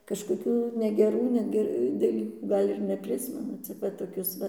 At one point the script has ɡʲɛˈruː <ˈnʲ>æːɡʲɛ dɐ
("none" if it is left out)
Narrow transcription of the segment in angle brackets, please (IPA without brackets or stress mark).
nʲ